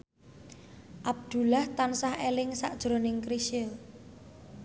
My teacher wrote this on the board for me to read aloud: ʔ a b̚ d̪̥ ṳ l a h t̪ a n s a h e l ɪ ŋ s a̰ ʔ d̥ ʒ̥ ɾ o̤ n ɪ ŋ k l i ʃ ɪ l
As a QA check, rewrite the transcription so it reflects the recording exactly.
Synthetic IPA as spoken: ʔ a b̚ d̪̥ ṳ l a h t̪ a n s a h e l ɪ ŋ s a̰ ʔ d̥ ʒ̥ ɾ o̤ n ɪ ŋ k ɾ i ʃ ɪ l